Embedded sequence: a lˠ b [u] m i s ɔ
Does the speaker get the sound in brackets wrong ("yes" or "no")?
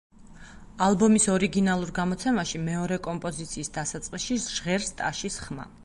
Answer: yes